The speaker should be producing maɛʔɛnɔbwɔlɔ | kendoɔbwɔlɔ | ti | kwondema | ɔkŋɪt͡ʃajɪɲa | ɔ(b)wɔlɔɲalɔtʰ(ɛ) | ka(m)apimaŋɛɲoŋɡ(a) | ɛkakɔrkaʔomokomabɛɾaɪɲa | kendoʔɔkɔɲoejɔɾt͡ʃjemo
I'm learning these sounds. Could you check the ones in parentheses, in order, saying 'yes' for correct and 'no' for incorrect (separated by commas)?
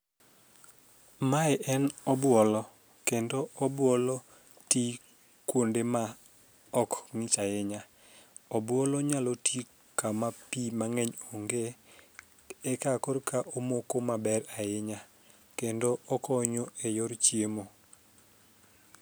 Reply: yes, no, yes, no